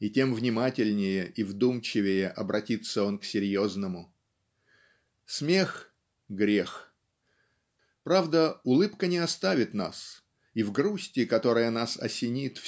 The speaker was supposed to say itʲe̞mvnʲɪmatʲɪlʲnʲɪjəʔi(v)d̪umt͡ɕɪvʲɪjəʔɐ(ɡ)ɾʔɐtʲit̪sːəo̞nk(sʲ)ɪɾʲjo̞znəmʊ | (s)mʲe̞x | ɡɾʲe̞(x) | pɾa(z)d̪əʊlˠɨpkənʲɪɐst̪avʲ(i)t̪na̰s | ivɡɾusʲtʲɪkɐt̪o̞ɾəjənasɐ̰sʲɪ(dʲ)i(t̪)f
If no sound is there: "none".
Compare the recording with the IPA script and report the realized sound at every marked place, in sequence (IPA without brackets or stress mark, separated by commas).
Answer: v, b, sʲ, s, x, v, ɪ, nʲ, t̪